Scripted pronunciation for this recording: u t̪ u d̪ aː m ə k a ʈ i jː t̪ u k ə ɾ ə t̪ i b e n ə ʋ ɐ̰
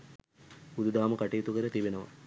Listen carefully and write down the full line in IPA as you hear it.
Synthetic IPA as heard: u d̪ u d̪ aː m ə k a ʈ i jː t̪ u k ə ɾ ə t̪ i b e n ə ʋ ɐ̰